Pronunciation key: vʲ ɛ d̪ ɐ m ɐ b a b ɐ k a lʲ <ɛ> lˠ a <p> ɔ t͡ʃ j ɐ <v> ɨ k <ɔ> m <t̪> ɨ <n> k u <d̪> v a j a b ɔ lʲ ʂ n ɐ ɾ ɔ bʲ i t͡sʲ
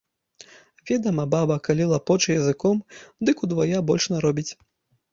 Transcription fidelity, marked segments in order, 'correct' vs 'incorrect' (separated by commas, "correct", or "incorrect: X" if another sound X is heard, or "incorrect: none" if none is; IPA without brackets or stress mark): incorrect: i, correct, incorrect: z, correct, incorrect: d̪, incorrect: none, correct